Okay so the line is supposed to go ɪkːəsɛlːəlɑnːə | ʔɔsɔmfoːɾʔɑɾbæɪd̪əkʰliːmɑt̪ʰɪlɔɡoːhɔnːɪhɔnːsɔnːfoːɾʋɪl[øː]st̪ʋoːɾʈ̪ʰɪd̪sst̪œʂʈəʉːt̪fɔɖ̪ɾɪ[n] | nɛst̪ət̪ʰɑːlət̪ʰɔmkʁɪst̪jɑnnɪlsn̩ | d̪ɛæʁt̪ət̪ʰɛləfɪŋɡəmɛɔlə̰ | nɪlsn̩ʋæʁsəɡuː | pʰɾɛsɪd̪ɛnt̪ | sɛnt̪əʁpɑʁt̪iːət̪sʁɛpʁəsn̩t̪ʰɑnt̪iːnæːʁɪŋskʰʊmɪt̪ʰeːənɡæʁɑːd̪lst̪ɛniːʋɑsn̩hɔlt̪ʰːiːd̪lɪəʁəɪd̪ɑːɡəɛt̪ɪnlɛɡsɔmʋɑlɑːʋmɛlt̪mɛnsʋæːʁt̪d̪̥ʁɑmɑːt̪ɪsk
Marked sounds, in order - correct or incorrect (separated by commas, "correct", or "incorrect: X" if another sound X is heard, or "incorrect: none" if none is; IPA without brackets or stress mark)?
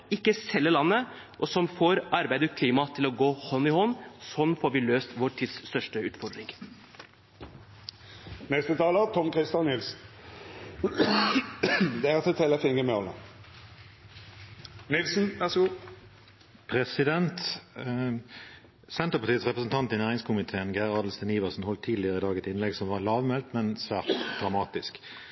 correct, incorrect: ŋ